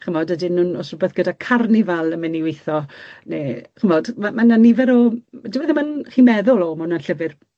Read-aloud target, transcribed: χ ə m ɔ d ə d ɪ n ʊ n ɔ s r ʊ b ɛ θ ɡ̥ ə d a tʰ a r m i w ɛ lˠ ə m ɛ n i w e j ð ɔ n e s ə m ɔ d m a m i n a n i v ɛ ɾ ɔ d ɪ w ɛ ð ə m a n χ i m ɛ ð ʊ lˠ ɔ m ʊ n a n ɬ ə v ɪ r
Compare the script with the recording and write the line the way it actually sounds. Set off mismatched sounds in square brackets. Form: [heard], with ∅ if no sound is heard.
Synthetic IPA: χ ə m ɔ d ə d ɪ n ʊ n ɔ s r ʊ b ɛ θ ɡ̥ ə d a [kʰ] a r [n] i [v] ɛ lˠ ə m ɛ n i w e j [θ] ɔ n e [χ] ə m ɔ d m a m [a] n a n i v ɛ ɾ ɔ d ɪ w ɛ ð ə m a n χ i m ɛ ð ʊ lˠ ɔ m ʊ n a n ɬ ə v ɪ r